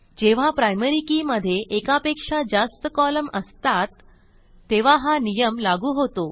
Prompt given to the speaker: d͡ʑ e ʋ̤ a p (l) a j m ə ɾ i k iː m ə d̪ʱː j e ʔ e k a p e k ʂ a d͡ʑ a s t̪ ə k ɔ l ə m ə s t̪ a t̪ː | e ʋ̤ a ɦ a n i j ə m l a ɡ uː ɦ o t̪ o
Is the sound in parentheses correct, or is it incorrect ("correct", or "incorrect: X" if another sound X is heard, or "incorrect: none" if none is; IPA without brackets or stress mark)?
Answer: incorrect: ɾ